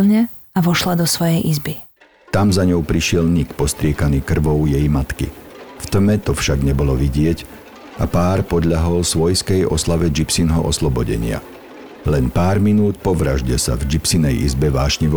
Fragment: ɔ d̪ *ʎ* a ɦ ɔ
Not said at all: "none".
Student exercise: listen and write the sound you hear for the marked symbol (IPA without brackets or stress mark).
ʎ